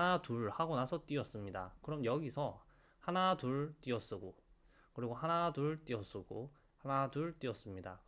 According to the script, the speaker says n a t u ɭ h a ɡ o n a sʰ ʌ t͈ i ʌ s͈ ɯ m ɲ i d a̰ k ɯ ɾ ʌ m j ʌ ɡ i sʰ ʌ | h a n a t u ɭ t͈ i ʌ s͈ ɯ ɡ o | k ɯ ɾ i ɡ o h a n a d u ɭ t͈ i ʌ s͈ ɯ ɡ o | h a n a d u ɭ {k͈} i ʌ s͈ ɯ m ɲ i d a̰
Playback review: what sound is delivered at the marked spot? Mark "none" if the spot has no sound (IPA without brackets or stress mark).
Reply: t͈